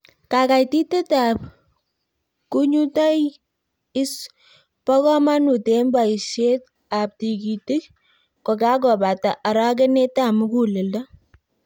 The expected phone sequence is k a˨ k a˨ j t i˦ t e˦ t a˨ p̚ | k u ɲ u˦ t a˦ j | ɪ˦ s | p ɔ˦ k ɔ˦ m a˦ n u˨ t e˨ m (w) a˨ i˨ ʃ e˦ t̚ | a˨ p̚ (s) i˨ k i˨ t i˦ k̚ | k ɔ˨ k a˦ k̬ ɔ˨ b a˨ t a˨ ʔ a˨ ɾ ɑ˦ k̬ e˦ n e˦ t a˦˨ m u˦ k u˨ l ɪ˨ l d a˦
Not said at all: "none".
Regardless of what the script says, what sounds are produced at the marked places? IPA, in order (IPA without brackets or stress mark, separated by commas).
b, t